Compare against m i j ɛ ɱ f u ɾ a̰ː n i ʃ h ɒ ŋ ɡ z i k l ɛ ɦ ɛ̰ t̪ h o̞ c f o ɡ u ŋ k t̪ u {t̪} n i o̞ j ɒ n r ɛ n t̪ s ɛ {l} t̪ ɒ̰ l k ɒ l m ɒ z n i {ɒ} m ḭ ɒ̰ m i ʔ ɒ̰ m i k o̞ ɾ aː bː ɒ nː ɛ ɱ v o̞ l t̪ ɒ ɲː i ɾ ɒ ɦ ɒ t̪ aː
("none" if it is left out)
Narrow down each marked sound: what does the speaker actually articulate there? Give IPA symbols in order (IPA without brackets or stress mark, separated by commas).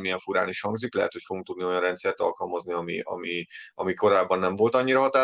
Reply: d̪, r, ɒ